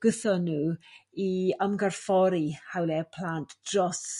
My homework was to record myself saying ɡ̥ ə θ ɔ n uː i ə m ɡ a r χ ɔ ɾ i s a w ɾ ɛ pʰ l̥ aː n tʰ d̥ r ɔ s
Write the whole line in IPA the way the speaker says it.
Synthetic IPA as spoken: ɡ̥ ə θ ɔ n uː i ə m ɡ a r f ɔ ɾ i h a w l ɛ pʰ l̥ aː n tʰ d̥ r ɔ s